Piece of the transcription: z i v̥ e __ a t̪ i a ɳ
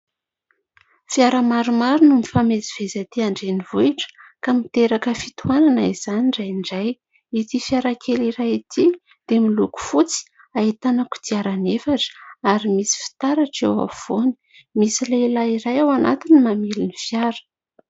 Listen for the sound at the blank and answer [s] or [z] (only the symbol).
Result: z